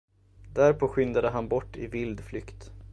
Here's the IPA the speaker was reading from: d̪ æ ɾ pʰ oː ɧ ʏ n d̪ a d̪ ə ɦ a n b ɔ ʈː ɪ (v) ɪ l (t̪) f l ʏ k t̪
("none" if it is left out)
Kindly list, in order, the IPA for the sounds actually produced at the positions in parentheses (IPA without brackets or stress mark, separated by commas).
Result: v, d̪